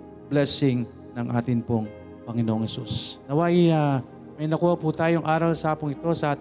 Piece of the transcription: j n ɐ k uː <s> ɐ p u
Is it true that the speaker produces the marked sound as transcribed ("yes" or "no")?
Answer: no